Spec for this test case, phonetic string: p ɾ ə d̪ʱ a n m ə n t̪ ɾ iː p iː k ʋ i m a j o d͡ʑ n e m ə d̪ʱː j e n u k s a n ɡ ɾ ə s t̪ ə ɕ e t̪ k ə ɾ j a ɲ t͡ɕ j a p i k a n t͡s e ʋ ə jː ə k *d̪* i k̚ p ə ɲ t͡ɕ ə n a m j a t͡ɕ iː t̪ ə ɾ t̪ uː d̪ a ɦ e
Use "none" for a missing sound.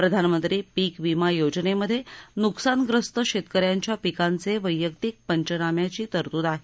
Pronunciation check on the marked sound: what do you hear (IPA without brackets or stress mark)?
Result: t̪